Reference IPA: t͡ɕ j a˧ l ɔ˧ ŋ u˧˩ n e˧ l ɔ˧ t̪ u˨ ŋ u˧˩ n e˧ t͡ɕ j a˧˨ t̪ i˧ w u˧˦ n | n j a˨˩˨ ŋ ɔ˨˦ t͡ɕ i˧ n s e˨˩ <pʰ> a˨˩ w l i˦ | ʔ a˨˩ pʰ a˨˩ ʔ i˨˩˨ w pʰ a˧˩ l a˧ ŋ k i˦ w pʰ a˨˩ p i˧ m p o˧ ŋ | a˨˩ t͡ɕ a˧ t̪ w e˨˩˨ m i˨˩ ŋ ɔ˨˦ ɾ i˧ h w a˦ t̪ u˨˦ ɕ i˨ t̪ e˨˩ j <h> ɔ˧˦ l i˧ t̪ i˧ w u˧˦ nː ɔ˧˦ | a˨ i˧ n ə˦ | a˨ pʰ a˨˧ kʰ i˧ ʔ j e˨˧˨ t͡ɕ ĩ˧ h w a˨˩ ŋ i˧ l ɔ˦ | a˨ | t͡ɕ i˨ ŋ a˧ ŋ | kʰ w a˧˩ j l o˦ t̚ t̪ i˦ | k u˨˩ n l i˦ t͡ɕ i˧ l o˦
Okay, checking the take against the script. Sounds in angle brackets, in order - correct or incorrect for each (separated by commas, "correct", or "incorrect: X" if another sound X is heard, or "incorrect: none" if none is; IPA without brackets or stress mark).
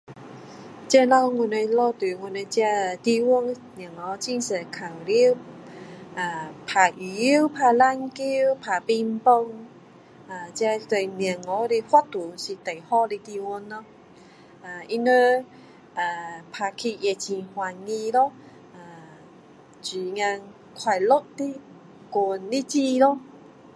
incorrect: kʰ, correct